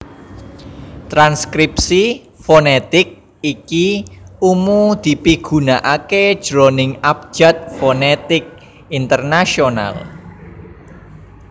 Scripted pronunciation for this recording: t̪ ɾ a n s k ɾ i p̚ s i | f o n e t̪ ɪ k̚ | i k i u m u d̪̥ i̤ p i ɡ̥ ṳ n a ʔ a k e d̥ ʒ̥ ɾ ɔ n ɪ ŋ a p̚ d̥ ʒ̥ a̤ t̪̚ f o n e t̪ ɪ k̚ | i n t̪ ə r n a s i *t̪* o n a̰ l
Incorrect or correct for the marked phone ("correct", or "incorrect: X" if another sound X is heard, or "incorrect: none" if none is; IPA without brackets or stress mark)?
incorrect: none